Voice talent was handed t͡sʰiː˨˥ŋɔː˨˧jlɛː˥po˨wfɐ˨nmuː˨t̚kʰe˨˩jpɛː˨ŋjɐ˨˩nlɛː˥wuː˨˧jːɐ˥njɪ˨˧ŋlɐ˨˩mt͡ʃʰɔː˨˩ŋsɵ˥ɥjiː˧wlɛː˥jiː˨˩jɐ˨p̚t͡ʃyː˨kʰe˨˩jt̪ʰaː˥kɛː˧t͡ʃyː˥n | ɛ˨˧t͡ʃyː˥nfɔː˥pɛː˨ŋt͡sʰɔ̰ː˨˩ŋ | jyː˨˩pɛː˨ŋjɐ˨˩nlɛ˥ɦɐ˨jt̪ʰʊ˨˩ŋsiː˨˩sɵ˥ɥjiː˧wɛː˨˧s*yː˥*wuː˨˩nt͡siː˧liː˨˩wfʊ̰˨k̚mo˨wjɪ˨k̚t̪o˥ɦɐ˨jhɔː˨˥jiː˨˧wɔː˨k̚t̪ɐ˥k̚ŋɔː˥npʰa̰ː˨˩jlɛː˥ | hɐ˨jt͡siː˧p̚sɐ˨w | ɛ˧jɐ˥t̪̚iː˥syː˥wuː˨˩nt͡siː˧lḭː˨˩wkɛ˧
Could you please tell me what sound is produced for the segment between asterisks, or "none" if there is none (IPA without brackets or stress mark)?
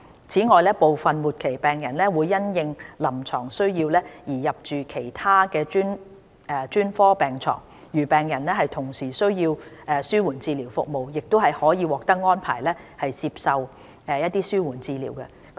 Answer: yː˥